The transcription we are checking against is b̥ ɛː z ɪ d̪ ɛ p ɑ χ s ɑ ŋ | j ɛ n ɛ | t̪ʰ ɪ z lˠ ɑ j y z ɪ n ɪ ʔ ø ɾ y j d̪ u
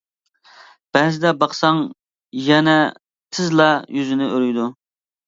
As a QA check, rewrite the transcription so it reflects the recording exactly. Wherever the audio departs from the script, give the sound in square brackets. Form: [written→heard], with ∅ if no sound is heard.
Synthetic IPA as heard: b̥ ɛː z ɪ d̪ ɛ [p→b] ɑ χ s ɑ ŋ | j ɛ n ɛ | t̪ʰ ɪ z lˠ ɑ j y z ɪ n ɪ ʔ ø ɾ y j d̪ u